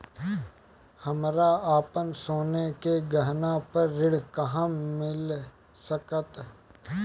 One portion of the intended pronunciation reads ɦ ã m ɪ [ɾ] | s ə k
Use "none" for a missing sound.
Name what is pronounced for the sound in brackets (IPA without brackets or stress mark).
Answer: l